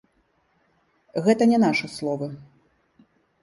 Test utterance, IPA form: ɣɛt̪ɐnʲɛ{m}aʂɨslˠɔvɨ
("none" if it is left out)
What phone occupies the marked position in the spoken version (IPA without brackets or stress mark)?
n